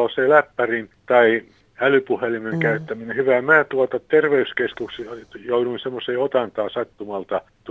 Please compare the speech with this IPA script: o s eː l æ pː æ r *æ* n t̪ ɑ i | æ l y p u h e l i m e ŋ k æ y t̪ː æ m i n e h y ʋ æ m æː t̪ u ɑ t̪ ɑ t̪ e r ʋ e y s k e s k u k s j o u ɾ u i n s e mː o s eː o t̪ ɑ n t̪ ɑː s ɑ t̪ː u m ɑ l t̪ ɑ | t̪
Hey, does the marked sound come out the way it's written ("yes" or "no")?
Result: no